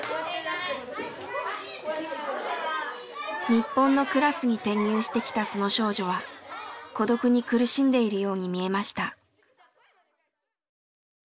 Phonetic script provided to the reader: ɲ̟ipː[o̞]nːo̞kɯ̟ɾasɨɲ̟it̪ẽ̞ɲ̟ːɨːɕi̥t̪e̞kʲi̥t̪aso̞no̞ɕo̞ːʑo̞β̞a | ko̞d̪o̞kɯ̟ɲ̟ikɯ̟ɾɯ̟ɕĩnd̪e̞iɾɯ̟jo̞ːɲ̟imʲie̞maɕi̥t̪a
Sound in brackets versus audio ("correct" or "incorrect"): incorrect